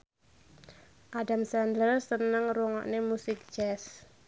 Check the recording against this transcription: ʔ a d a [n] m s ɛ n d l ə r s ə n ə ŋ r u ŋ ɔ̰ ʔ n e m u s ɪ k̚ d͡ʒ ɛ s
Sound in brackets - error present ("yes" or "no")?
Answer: yes